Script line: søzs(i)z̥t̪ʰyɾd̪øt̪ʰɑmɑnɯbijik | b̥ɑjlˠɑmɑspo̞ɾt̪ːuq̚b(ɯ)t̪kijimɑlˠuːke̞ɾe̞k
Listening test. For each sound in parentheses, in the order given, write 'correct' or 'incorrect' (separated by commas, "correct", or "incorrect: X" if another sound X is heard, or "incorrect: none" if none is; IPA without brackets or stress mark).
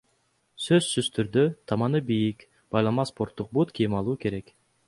incorrect: y, incorrect: u